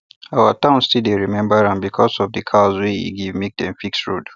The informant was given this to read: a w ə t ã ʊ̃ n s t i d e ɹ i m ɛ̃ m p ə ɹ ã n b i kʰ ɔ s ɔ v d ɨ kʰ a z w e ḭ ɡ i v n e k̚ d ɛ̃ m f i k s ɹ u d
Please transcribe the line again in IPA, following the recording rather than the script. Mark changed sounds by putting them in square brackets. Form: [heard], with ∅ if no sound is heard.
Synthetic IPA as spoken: a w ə t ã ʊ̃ n s t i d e ɹ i m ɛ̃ m [b] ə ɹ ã n b i kʰ ɔ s ɔ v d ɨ kʰ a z w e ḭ ɡ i v [m] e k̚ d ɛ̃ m f i k s ɹ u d